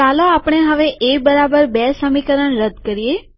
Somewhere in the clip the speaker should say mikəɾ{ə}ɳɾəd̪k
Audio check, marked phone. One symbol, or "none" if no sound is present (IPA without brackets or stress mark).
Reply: ə